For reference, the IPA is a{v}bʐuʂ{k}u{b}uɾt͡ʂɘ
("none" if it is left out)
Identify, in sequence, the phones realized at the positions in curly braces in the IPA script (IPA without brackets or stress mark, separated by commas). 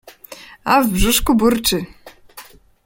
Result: v, k, b